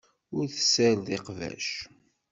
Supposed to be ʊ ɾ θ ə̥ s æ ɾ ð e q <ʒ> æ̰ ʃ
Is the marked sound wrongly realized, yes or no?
yes